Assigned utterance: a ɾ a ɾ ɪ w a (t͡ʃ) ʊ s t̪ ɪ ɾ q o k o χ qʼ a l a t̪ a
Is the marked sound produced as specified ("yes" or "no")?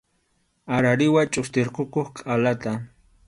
no